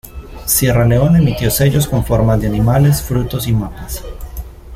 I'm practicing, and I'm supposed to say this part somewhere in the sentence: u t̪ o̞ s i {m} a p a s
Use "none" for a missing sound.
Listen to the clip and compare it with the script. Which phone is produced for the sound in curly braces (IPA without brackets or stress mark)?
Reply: m